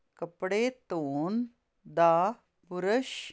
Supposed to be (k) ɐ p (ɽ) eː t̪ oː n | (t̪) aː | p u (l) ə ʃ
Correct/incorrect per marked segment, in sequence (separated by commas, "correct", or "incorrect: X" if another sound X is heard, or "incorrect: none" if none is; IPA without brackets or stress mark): correct, correct, incorrect: d̪, incorrect: ɾ